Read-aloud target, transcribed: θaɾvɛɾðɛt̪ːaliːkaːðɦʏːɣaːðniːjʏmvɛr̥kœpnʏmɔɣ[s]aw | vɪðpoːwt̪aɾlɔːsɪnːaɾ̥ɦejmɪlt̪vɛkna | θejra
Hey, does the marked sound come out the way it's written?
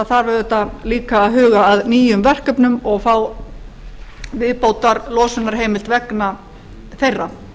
no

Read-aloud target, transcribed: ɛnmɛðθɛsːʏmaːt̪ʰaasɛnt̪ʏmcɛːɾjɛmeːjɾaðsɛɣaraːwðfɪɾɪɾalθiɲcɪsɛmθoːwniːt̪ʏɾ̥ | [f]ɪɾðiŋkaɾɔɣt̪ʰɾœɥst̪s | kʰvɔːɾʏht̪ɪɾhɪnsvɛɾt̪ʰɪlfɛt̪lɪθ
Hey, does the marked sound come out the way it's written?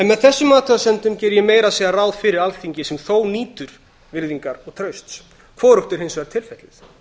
no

